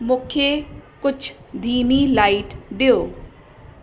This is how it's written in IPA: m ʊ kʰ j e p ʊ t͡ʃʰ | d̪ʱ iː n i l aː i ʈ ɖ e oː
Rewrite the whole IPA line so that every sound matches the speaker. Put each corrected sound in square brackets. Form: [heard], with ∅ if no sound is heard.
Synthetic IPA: m ʊ kʰ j e [k] ʊ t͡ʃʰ | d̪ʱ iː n i l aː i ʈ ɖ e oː